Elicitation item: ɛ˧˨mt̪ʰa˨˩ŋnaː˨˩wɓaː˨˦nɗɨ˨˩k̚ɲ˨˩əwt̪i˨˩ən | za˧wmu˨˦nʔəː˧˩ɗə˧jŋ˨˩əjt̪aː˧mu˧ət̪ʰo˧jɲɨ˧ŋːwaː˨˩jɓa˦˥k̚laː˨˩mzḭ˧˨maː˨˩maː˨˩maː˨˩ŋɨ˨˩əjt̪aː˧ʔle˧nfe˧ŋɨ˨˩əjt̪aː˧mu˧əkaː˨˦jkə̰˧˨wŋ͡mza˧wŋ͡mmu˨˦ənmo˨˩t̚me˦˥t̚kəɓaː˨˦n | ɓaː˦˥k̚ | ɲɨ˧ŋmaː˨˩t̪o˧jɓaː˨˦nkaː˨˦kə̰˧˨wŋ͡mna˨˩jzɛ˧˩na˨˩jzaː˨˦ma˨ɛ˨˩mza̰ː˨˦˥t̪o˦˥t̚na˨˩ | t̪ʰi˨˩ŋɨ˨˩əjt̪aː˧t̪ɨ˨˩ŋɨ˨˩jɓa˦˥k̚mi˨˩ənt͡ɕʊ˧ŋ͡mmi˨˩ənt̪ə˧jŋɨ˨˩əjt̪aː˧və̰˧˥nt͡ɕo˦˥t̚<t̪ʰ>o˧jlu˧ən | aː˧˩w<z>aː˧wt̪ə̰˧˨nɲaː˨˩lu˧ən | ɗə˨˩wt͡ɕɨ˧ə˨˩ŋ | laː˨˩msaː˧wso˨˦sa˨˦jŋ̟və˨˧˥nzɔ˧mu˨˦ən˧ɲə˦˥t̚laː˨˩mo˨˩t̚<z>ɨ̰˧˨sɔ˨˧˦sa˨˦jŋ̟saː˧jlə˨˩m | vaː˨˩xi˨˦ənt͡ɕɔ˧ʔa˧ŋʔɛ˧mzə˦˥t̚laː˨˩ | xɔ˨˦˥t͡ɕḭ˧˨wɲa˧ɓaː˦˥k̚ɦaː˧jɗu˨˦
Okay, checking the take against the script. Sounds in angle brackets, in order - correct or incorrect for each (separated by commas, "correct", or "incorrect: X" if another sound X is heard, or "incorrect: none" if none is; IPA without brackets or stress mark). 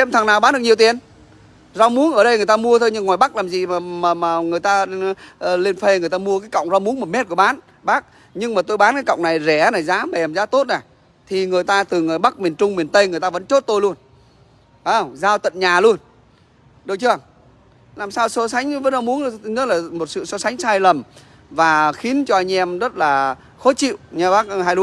incorrect: t̪, correct, incorrect: s